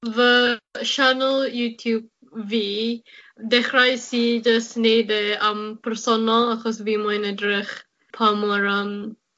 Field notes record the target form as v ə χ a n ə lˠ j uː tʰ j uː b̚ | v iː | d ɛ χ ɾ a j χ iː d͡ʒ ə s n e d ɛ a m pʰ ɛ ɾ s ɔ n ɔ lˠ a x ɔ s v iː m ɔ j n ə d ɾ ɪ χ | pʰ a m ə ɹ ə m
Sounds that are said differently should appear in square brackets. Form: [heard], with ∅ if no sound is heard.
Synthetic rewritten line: v ə [ʃ] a n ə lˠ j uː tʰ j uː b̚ | v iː | d ɛ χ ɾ a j [s] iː d͡ʒ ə s n e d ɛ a m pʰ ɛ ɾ s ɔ n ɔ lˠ a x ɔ s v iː m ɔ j n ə d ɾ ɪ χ | pʰ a m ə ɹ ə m